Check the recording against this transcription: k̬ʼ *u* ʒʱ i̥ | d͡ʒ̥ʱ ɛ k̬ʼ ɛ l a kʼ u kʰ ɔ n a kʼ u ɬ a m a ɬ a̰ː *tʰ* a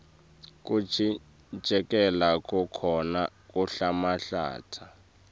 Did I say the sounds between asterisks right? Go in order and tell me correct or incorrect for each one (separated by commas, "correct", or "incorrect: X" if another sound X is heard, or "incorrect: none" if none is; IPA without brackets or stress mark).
correct, correct